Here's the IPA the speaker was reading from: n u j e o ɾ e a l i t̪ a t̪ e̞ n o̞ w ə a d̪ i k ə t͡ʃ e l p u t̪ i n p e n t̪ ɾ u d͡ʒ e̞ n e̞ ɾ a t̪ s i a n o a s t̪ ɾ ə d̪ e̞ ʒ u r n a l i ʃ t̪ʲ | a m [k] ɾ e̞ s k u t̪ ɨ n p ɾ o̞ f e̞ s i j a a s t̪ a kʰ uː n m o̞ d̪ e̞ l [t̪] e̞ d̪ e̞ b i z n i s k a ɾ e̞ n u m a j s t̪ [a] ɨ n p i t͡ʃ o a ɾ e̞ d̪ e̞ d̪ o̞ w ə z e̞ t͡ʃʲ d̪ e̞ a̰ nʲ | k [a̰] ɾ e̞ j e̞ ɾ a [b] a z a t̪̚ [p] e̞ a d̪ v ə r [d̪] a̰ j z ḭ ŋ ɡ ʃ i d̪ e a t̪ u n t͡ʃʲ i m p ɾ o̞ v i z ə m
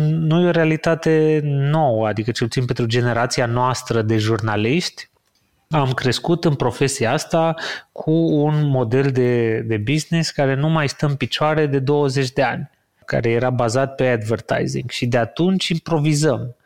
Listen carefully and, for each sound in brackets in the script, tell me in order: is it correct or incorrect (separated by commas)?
correct, incorrect, incorrect, correct, correct, correct, incorrect